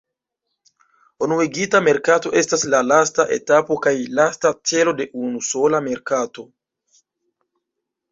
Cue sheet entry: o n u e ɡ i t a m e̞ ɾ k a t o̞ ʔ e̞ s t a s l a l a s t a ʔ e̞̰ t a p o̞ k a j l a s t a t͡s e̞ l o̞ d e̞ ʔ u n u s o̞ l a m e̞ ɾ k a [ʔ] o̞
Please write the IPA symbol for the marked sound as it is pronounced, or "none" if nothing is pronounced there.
t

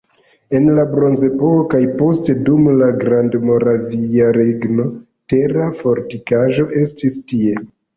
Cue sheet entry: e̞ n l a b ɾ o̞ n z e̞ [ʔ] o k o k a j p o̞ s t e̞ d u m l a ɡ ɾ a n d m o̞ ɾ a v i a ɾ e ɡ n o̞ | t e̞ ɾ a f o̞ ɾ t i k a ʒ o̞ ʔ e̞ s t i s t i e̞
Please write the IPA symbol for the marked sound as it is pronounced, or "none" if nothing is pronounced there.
p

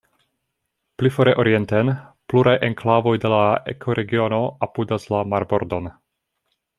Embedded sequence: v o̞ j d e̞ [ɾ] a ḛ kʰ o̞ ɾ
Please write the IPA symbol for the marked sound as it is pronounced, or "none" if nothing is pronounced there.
l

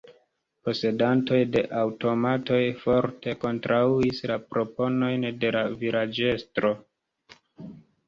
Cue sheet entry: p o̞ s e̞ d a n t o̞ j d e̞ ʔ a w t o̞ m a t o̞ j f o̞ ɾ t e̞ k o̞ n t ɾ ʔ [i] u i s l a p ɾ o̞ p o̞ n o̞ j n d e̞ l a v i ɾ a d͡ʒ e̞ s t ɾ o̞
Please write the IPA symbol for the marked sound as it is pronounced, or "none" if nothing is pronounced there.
a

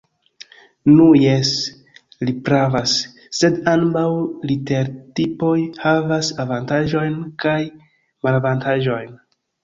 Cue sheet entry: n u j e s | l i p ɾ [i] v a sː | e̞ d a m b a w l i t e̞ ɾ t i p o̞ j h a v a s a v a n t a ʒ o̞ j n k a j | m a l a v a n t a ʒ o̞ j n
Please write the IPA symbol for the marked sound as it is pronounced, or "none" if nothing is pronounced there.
a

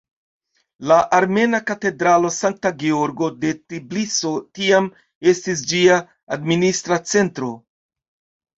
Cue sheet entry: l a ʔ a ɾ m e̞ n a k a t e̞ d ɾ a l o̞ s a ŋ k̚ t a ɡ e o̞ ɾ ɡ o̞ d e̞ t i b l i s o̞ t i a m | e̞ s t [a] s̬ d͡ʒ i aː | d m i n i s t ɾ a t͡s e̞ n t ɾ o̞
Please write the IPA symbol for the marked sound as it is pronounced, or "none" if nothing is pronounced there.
i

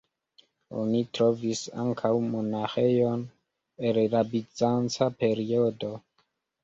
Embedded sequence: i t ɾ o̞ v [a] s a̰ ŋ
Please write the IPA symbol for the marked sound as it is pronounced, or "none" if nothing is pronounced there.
i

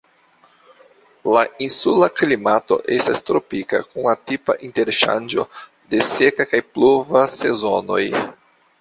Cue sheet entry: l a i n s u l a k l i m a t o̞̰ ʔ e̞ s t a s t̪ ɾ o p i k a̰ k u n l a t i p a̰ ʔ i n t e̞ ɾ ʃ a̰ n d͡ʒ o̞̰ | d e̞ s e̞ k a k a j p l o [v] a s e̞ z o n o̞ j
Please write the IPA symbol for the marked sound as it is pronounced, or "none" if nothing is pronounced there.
v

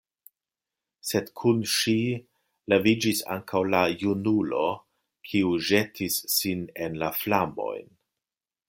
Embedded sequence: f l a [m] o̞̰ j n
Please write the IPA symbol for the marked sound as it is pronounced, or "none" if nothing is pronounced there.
m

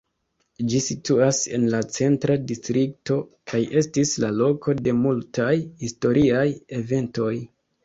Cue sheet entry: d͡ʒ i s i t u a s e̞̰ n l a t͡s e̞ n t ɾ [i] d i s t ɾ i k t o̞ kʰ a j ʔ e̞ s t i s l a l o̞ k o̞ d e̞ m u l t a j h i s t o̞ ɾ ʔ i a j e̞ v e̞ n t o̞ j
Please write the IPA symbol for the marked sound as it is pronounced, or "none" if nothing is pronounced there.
a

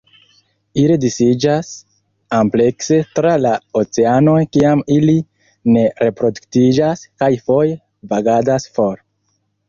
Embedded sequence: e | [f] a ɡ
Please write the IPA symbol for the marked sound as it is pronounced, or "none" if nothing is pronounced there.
v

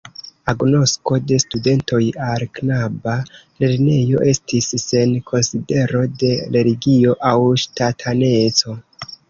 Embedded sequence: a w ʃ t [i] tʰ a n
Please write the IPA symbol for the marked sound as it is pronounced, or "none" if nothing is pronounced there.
a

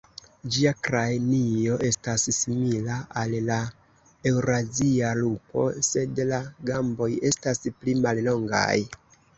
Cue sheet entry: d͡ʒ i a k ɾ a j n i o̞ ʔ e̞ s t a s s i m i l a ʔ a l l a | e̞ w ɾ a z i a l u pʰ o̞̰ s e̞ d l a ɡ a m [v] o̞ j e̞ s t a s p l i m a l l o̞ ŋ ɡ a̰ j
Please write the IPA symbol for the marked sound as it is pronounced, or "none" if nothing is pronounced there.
b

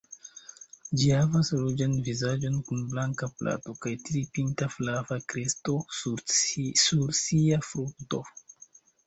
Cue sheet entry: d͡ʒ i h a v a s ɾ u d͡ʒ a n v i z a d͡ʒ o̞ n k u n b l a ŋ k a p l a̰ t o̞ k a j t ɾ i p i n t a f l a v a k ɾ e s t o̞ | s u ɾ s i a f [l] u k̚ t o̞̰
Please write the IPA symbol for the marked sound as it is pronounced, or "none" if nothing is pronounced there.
ɾ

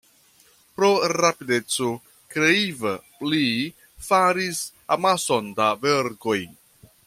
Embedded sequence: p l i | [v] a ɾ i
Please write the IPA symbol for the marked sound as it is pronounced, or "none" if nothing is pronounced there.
f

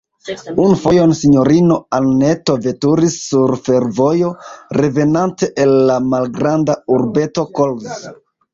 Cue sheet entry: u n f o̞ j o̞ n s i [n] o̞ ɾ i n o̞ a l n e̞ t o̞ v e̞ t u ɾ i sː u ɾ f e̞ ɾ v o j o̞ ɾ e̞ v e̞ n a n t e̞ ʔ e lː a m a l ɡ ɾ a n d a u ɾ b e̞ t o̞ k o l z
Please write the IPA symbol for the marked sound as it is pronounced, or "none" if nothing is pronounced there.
ɲ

